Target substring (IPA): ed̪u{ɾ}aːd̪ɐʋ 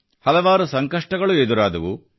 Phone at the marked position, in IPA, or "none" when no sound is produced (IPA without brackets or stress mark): ɾ